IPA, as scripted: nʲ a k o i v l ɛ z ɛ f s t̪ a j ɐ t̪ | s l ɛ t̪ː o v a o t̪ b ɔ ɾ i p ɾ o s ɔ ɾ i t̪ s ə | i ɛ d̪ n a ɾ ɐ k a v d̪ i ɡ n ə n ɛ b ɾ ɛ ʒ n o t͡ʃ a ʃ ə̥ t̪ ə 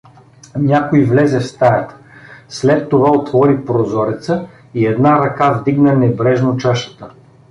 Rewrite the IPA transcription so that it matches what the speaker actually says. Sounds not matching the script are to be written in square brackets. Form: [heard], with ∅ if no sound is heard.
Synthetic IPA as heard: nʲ a k o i v l ɛ z ɛ f s t̪ a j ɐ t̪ | s l ɛ t̪ː o v a o t̪ [v] ɔ ɾ i p ɾ o [z] ɔ ɾ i t̪ s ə | i ɛ d̪ n a ɾ ɐ k a v d̪ i ɡ n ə n ɛ b ɾ ɛ ʒ n o t͡ʃ a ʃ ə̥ t̪ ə